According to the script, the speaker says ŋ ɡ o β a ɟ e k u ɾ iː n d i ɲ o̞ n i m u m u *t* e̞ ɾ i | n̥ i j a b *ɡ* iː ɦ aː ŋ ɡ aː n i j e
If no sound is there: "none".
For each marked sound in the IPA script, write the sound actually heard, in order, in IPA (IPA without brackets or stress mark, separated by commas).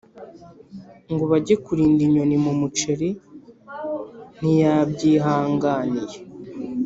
t͡ʃ, ɟ